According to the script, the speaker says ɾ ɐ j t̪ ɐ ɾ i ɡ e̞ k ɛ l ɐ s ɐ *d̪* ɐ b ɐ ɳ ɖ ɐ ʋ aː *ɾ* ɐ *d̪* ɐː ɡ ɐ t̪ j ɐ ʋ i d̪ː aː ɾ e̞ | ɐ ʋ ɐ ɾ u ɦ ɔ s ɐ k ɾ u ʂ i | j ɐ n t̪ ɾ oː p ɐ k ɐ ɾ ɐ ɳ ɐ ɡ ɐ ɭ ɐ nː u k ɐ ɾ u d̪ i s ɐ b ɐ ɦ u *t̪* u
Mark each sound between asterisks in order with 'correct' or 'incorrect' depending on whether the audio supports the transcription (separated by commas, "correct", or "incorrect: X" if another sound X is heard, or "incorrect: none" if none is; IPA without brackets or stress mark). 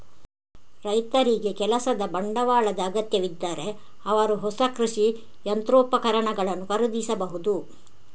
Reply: correct, incorrect: ɭ, correct, incorrect: d̪